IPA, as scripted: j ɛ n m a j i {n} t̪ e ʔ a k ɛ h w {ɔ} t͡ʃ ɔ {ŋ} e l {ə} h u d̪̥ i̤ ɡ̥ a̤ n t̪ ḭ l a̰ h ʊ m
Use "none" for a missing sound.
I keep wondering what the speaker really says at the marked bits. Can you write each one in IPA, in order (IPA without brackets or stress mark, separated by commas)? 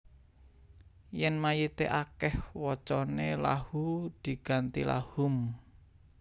none, ɔ, n, a